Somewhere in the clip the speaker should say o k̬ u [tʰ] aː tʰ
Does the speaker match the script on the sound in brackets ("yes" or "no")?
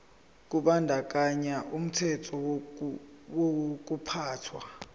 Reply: no